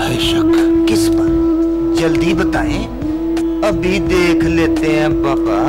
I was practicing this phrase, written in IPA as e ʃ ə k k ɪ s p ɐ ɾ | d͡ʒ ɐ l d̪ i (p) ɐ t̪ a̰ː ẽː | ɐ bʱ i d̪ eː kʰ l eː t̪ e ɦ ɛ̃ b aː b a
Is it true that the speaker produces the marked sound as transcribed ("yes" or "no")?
no